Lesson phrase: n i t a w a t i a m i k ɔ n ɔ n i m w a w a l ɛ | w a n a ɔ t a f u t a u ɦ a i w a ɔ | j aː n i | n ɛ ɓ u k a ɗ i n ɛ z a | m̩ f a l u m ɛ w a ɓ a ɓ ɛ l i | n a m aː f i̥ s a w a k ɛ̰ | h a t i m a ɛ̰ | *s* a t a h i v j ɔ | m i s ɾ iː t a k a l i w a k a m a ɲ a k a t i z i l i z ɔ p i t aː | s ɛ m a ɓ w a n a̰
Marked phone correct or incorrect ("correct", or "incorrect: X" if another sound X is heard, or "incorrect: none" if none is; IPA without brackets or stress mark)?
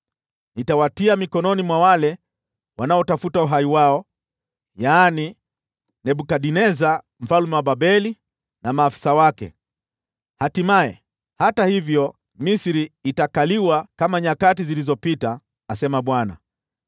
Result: incorrect: h